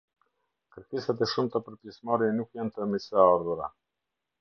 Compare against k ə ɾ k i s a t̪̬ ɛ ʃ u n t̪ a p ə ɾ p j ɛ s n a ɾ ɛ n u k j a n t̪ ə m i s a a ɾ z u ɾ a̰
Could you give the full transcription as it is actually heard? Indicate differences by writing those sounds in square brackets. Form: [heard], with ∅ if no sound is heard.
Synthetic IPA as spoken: k ə ɾ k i s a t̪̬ ɛ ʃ u [m] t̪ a p ə ɾ p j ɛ s [m] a ɾ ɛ n u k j a n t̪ ə m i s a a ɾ [ð] u ɾ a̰